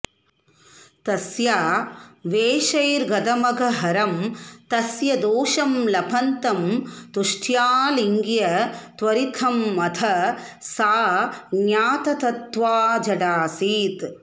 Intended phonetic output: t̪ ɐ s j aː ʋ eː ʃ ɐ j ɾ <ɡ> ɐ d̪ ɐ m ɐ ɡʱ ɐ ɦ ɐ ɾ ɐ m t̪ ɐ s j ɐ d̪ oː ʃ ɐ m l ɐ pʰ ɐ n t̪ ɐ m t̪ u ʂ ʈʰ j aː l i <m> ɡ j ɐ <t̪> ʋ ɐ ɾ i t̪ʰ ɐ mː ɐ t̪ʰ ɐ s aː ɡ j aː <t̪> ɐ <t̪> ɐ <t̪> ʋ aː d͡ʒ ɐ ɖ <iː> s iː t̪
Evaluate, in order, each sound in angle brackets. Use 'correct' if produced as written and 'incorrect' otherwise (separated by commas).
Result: correct, incorrect, correct, correct, correct, correct, incorrect